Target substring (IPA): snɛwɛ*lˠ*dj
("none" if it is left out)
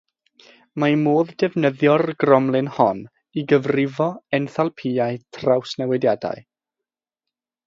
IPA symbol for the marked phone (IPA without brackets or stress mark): none